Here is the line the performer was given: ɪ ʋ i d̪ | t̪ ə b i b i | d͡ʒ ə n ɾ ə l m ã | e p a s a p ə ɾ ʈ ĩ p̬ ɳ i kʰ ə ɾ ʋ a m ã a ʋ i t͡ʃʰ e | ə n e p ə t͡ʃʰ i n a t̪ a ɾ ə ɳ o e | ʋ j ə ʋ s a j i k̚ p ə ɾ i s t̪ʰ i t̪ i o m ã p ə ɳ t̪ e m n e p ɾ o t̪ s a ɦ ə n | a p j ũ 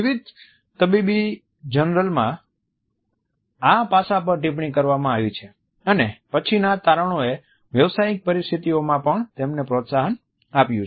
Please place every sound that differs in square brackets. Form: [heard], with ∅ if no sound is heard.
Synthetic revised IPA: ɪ ʋ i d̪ | t̪ ə b i b i | d͡ʒ ə n ɾ ə l m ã | [a] p a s a p ə ɾ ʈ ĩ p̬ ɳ i [k] ə ɾ ʋ a m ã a ʋ i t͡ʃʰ e | ə n e p ə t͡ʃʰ i n a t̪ a ɾ ə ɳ o e | ʋ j ə ʋ s a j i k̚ p ə ɾ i s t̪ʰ i t̪ i o m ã p ə ɳ t̪ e m n e p ɾ o t̪ s a ɦ ə n | a p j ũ

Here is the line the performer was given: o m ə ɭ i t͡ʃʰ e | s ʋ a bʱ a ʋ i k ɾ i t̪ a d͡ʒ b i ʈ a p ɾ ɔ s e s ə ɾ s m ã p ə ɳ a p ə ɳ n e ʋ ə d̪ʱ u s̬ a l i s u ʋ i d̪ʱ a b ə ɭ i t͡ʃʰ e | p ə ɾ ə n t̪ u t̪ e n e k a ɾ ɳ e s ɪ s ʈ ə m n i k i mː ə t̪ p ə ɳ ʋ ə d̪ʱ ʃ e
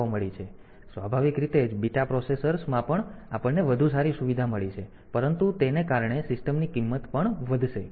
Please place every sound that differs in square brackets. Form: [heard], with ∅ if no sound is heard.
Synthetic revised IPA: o m ə ɭ i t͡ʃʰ e | s ʋ a bʱ a ʋ i k ɾ i t̪ [e] d͡ʒ b i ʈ a p ɾ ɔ s e s ə ɾ s m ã p ə ɳ a p ə ɳ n e ʋ ə d̪ʱ u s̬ a [ɾ] i s u ʋ i d̪ʱ a [m] ə ɭ i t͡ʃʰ e | p ə ɾ ə n t̪ u t̪ e n e k a ɾ ɳ e s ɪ s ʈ ə m n i k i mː ə t̪ p ə ɳ ʋ ə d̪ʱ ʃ e

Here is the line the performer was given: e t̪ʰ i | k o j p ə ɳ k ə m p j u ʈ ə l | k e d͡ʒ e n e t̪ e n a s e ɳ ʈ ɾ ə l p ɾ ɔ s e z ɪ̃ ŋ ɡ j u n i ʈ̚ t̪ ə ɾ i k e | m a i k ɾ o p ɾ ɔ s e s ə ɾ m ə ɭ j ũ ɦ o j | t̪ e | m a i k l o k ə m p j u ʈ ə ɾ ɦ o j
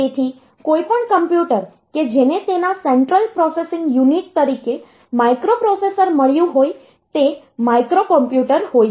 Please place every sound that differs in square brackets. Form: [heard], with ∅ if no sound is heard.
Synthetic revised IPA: e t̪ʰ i | k o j p ə ɳ k ə m p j u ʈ ə [ɾ] | k e d͡ʒ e n e t̪ e n a s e ɳ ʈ ɾ ə l p ɾ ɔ s e [s] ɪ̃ ŋ ɡ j u n i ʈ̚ t̪ ə ɾ i k e | m a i k ɾ o p ɾ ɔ s e s ə ɾ m ə ɭ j ũ ɦ o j | t̪ e | m a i k [ɾ] o k ə m p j u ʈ ə ɾ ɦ o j

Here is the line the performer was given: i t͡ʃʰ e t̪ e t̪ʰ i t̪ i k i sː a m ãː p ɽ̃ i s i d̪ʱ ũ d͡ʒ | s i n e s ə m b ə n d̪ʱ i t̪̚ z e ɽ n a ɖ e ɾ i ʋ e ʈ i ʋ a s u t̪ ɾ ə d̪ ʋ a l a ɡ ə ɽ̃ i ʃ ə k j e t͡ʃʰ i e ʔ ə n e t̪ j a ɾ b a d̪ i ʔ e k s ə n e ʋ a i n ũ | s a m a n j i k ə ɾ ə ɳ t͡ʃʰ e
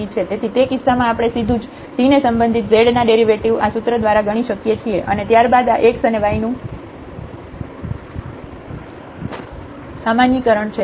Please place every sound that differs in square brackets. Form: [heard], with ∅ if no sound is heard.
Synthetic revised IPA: i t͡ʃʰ e t̪ e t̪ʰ i t̪ [e] k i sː a m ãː p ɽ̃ [e] s i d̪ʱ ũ d͡ʒ | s i n e s ə m b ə n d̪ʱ i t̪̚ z e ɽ n a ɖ e ɾ i ʋ e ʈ i ʋ a s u t̪ ɾ ə d̪ ʋ a [ɾ] a ɡ ə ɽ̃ i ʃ ə k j e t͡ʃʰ i e ʔ ə n e t̪ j a ɾ b a d̪ [a] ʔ e k s ə n e ʋ a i n ũ | s a m a n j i k ə ɾ ə ɳ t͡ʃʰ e

